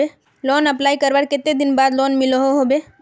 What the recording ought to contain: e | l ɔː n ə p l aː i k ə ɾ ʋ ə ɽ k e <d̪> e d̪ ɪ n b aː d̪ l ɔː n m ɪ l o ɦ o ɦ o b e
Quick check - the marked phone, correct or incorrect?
incorrect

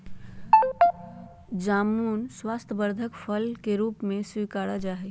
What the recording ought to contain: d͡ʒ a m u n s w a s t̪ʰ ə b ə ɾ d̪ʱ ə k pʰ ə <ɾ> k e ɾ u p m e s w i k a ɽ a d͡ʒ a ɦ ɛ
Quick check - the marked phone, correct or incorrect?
incorrect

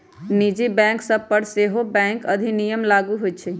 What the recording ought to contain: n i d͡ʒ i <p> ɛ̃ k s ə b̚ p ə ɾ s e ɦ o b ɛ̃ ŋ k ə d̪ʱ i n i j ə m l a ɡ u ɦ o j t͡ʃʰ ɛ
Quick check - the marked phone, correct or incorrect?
incorrect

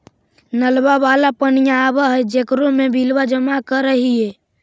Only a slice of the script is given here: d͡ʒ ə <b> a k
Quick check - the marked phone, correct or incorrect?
incorrect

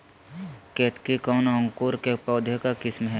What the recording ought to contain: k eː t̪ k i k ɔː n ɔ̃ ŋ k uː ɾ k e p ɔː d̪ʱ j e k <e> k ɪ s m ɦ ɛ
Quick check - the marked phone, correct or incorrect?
incorrect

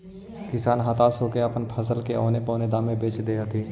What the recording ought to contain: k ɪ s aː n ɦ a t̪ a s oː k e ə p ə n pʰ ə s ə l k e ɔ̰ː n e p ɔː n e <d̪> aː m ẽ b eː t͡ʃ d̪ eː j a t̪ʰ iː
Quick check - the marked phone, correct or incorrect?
correct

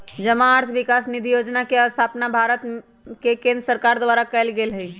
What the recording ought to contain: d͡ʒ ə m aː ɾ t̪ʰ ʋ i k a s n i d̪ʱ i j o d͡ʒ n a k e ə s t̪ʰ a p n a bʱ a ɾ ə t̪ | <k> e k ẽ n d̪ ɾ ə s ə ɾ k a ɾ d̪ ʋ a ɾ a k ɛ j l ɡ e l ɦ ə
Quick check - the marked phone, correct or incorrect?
correct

